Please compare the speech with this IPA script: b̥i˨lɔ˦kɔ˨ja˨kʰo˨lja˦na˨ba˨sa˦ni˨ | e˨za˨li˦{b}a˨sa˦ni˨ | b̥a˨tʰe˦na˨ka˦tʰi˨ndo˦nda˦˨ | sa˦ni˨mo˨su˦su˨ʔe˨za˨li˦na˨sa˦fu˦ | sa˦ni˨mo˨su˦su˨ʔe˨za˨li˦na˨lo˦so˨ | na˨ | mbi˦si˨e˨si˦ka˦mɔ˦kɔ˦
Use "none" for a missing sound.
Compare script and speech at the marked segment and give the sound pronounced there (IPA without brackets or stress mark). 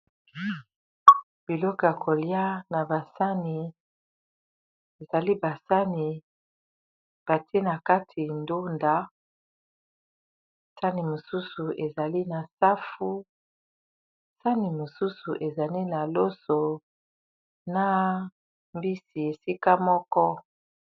b